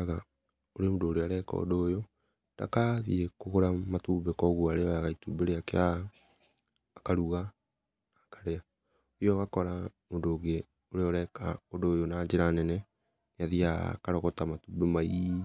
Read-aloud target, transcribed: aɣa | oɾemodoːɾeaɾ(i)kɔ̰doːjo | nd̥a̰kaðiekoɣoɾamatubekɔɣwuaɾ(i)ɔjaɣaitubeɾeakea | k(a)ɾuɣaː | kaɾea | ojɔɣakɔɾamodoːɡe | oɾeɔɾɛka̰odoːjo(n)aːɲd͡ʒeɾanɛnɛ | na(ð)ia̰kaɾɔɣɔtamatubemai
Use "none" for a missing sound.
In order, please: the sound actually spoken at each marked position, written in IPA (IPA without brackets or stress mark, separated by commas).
ɛ, e, a, n, ð